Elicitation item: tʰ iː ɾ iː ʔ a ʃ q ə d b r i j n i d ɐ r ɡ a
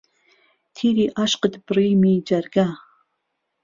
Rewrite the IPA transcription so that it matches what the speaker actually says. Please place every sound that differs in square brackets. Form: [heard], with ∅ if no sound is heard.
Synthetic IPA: tʰ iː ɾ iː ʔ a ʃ q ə d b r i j [m] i [d͡ʒ] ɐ r ɡ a

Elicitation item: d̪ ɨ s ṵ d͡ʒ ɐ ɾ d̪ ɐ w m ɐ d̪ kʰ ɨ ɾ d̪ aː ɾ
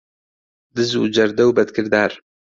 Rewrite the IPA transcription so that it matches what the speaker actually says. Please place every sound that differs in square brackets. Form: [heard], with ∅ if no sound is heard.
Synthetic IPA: d̪ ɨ [z] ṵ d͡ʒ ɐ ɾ d̪ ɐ w [b] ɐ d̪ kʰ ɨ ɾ d̪ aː ɾ

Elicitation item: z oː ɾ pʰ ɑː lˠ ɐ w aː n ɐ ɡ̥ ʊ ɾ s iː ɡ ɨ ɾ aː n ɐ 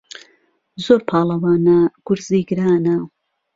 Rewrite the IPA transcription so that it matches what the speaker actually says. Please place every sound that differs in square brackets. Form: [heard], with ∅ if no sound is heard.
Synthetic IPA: z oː ɾ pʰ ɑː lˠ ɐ w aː n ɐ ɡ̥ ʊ ɾ [z] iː ɡ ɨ ɾ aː n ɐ

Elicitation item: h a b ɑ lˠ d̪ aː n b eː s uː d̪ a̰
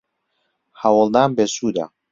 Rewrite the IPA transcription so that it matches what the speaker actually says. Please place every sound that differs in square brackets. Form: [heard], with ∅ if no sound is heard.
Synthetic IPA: h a [w] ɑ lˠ d̪ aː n b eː s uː d̪ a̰

